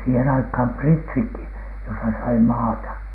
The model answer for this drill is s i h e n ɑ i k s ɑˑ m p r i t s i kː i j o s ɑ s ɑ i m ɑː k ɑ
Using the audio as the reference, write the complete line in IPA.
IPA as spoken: s iː h e n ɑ i k h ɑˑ m p r i t s i kː i j o s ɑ s ɑ i m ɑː t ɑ